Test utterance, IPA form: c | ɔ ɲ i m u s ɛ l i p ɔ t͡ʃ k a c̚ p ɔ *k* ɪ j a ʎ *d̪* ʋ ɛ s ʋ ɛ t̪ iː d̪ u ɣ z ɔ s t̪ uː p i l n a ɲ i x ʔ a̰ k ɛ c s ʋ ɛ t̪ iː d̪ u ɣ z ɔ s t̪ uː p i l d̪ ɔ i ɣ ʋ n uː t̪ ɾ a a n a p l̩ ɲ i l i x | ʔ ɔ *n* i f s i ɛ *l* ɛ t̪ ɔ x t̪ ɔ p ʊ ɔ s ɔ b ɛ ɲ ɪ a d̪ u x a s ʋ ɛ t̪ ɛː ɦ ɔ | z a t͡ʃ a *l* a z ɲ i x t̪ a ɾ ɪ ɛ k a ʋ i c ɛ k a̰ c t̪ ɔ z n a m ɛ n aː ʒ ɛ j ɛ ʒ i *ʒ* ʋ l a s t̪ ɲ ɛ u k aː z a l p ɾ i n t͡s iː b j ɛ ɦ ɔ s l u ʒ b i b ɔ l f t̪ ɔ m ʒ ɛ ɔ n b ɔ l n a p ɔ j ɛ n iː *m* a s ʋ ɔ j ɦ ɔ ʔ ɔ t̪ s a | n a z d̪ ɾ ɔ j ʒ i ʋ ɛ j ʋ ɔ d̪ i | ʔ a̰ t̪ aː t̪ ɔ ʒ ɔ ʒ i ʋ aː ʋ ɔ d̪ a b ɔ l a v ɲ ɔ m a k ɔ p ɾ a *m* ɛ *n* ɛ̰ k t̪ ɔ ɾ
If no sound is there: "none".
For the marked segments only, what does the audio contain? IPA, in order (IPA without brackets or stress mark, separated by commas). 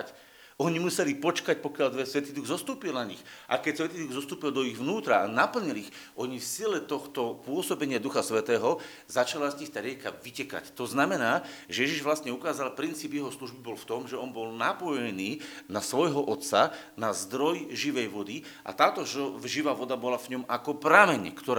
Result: k, d̪, ɲ, l, l, ʒ, n, m, ɲ